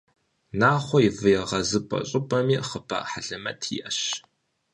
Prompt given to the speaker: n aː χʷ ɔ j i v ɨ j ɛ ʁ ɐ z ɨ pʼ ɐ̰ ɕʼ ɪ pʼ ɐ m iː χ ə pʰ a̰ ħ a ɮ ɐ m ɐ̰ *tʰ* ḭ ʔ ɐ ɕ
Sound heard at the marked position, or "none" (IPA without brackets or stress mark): tʰ